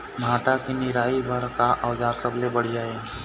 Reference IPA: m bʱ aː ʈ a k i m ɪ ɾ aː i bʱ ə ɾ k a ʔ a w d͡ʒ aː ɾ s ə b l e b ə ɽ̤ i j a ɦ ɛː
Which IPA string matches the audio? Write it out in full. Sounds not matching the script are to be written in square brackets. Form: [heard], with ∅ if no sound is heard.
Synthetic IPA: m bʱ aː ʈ a k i [n] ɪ ɾ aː i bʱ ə ɾ k a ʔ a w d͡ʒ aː ɾ s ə b l e b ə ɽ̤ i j a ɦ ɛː